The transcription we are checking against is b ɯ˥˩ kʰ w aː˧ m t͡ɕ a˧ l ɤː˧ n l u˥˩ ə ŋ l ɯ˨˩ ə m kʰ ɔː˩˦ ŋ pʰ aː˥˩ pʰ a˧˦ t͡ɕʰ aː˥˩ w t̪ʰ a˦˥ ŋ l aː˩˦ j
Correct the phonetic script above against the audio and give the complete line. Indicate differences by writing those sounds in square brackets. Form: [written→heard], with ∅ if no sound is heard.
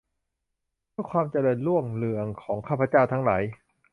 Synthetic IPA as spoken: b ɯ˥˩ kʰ w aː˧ m t͡ɕ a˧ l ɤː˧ n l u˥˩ ə ŋ l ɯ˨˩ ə [m→ŋ] kʰ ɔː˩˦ ŋ [pʰ→kʰ] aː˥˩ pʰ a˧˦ [t͡ɕʰ→t͡ɕ] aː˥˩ w t̪ʰ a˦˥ ŋ l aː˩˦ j